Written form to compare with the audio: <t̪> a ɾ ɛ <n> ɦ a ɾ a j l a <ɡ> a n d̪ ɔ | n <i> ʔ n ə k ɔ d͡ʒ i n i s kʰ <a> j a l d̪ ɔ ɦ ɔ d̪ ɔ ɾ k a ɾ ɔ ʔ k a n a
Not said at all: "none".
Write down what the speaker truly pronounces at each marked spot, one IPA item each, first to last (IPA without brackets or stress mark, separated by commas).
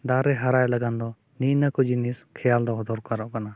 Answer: d̪, none, ɡ, i, ɛ